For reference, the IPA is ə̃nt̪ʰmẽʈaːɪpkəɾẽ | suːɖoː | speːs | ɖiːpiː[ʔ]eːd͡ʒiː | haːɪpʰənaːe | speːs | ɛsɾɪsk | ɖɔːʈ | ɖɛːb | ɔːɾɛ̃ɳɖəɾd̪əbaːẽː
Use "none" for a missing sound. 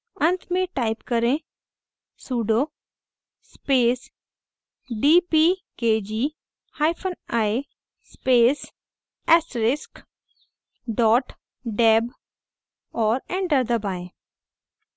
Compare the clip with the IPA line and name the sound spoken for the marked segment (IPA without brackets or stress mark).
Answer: k